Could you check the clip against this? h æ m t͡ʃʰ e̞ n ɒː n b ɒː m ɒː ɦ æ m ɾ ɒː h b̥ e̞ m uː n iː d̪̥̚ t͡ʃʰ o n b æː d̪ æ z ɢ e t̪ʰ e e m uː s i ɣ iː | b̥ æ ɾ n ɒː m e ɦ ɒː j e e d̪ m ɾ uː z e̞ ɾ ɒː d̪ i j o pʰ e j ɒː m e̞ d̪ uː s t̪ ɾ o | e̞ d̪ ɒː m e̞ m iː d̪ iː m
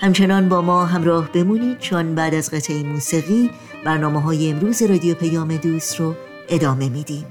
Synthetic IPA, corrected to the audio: h æ m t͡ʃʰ e̞ n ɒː n b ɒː m ɒː ɦ æ m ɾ ɒː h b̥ e̞ m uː n iː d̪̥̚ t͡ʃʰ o n b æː d̪ æ z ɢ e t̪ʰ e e m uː s i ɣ iː | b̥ æ ɾ n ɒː m e ɦ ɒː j e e m ɾ uː z e̞ ɾ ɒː d̪ i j o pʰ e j ɒː m e̞ d̪ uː s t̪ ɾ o | e̞ d̪ ɒː m e̞ m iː d̪ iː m